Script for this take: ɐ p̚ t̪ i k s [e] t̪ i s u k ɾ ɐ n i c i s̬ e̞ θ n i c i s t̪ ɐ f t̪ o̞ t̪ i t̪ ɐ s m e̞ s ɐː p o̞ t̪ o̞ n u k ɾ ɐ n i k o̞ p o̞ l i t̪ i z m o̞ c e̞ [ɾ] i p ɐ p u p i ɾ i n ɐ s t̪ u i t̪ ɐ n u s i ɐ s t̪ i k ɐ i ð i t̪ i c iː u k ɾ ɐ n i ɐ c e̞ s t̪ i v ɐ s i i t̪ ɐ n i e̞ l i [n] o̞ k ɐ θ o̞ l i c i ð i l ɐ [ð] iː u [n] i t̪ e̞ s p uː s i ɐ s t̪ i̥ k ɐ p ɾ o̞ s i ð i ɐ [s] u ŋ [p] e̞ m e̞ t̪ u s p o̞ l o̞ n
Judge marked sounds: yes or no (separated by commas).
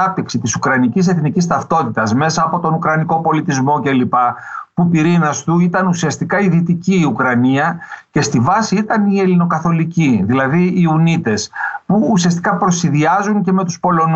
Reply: no, no, yes, yes, yes, no, no